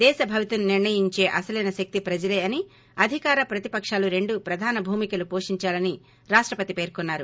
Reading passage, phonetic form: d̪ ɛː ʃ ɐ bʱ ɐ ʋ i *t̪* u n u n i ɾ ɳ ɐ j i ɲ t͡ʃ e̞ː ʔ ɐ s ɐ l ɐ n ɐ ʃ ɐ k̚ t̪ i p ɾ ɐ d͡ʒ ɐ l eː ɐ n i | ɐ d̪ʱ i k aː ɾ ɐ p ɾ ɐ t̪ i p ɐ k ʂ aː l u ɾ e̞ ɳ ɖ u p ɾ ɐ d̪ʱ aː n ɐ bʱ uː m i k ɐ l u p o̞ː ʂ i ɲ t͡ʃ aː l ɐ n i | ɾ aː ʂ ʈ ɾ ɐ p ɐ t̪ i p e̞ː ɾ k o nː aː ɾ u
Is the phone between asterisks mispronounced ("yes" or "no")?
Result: no